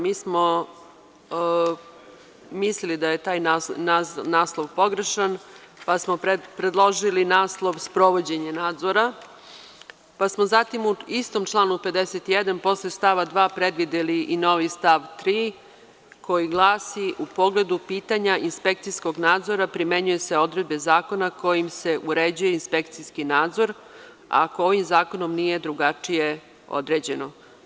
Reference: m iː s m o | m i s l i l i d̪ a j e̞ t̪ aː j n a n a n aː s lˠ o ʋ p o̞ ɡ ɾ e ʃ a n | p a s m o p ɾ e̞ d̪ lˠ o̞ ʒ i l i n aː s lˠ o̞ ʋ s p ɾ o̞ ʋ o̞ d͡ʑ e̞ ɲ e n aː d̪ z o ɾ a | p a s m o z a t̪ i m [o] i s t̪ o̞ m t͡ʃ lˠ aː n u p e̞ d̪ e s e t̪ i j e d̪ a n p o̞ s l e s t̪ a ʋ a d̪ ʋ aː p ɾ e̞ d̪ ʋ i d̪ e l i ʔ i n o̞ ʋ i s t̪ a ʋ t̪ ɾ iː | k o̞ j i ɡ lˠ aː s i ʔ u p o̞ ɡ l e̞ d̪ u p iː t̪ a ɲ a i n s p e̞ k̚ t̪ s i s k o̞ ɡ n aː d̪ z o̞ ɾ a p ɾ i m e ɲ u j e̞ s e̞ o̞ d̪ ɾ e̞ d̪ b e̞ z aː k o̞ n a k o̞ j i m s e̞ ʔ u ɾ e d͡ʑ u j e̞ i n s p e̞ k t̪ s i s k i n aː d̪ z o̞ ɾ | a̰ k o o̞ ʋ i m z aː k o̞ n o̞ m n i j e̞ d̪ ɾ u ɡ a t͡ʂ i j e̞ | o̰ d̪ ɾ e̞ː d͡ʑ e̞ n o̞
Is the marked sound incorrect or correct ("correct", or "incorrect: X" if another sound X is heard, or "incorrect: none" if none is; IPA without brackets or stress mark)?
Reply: incorrect: u